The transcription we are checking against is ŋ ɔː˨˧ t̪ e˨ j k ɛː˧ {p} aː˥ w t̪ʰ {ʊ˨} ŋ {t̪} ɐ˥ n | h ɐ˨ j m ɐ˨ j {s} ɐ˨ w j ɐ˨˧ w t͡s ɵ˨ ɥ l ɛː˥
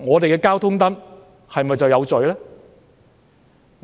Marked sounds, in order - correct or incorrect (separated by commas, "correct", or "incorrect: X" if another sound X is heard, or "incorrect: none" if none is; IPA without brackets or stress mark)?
incorrect: k, incorrect: ʊ˥, correct, incorrect: t͡s